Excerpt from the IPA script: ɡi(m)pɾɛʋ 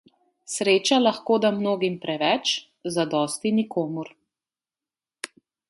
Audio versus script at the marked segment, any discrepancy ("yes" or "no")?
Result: no